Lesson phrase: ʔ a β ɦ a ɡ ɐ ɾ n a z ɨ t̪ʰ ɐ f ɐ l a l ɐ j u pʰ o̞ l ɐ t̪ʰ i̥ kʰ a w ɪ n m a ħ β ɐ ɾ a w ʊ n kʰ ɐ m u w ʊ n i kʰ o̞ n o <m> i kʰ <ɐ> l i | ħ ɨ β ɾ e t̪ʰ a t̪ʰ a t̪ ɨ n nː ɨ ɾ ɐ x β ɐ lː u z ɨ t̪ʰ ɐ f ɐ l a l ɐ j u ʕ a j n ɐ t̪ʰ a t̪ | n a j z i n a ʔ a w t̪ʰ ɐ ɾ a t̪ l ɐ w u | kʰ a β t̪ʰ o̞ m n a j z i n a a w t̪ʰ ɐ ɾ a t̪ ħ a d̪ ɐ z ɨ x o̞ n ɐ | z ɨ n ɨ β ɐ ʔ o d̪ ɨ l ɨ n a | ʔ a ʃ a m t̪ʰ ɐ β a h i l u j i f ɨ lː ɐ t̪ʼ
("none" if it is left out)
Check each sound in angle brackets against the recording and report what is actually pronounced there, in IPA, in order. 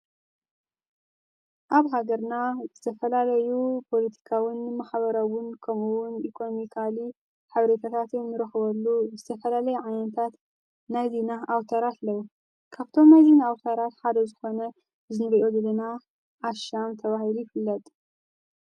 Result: m, a

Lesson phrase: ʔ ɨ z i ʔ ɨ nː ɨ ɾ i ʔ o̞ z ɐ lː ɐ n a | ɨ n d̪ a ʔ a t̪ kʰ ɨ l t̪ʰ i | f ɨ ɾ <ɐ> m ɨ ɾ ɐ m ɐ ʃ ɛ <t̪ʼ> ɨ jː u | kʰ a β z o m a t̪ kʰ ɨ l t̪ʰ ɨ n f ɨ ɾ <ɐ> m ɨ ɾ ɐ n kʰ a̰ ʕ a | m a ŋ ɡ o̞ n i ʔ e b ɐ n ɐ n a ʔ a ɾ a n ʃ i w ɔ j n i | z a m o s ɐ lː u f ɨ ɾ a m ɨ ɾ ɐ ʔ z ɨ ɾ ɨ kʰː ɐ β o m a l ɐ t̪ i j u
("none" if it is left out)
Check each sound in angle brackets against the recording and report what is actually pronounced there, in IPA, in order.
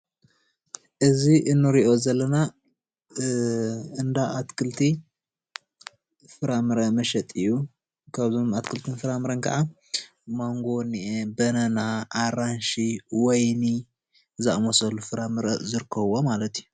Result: a, t̪ʼ, a

